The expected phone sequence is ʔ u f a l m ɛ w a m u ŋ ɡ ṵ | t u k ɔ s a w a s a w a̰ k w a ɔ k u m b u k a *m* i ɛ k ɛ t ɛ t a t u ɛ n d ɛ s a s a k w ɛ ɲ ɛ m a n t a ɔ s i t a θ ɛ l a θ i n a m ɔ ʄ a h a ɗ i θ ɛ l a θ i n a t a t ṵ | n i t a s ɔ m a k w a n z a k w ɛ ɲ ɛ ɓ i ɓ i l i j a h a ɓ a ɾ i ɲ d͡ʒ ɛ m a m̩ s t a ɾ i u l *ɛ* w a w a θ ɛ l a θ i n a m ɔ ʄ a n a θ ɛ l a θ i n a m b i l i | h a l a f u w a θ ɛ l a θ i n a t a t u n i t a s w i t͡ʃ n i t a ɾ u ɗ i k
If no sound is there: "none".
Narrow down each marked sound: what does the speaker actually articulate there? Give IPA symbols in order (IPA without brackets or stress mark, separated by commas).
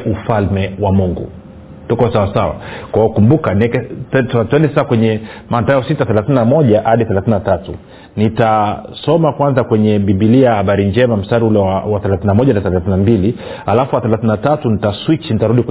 n, ɛ